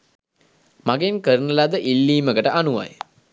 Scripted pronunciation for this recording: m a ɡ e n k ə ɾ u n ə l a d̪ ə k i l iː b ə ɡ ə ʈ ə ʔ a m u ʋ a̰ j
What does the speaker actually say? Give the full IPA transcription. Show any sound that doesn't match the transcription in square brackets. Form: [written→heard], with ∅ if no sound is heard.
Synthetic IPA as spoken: m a ɡ e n k ə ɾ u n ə l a d̪ ə [k→ʔ] i [l→lː] iː [b→m] ə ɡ ə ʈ ə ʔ a [m→n] u ʋ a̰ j